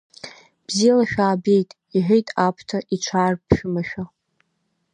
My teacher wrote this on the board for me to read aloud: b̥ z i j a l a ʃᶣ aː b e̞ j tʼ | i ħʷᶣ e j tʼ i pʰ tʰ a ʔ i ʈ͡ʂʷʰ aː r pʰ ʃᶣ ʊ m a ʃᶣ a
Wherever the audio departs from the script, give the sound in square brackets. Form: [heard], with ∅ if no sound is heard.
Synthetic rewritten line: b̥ z i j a l a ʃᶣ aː b e̞ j tʼ | i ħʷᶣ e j tʼ [a] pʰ tʰ a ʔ i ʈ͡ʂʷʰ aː r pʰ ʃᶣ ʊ m a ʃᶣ a